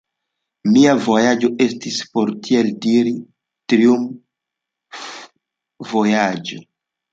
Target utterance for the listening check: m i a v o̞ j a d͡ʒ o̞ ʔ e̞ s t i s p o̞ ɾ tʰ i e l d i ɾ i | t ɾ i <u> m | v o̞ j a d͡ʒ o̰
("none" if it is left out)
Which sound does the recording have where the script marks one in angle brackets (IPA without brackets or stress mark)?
u